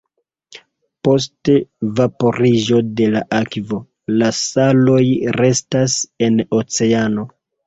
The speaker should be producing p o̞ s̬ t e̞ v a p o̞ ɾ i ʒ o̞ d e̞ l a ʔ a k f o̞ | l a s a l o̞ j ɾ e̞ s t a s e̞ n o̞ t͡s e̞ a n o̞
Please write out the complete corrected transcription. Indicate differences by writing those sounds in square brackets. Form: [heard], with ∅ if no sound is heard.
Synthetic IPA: p o̞ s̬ t e̞ v a p o̞ ɾ i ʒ o̞ d e̞ l a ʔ a k [v] o̞ | l a s a l o̞ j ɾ e̞ s t a s e̞ n o̞ t͡s e̞ a n o̞